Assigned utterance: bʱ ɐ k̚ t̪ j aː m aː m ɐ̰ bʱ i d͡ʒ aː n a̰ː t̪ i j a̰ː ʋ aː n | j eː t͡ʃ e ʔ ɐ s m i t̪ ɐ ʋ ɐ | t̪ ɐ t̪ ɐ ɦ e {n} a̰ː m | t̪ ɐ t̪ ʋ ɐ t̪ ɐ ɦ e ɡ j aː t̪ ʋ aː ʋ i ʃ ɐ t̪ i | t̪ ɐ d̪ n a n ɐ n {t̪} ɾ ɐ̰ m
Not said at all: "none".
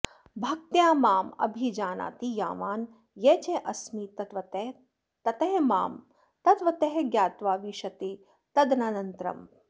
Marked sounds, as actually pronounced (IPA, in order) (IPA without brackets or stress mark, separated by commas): m, t̪